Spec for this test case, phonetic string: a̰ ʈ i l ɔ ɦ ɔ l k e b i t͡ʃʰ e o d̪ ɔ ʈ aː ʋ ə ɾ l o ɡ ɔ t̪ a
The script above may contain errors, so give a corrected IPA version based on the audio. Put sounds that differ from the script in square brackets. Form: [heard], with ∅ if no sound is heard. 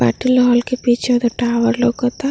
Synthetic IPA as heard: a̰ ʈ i l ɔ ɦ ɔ l k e [p] i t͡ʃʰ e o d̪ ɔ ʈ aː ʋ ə ɾ l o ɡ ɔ t̪ a